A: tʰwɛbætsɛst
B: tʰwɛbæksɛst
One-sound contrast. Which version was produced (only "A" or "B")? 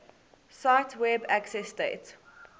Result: B